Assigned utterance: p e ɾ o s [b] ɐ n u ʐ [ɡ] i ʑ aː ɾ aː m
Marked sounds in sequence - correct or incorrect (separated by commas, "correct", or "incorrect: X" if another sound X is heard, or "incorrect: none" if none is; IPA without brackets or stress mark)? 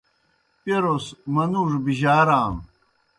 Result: incorrect: m, incorrect: b